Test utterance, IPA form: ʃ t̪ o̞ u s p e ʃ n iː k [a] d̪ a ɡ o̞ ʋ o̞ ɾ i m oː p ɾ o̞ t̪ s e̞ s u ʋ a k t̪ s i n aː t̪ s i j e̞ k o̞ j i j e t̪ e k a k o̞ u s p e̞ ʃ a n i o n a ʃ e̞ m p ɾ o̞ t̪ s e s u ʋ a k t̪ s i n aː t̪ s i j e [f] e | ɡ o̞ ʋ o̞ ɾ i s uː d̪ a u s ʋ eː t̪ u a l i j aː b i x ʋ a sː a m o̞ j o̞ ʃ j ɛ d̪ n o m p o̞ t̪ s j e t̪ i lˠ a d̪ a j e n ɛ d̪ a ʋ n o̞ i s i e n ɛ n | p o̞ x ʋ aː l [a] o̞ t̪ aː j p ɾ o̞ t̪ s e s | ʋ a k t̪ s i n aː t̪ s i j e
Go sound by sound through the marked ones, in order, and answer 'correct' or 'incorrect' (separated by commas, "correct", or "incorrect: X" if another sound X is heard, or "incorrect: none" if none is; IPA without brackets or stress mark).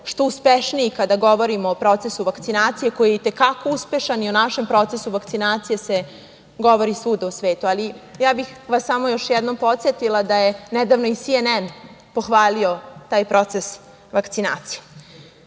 correct, incorrect: s, incorrect: i